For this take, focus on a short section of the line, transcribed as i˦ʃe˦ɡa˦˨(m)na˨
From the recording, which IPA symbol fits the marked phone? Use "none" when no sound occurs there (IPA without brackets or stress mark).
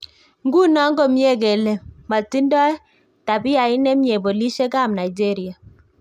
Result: m